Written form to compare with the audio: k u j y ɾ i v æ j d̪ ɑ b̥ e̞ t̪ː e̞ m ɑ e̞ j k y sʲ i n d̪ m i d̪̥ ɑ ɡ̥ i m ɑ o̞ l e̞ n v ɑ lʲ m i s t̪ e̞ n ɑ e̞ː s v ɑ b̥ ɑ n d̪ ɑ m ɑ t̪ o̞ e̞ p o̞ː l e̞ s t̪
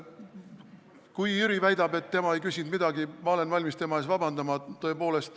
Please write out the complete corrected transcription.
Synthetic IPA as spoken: k u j y ɾ i v æ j d̪ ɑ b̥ e̞ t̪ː e̞ m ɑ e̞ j k y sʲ i n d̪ m i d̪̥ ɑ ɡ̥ i m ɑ o̞ l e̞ n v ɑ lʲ m i s t̪ e̞ m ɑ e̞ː s v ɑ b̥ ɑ n d̪ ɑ m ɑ t̪ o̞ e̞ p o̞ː l e̞ s t̪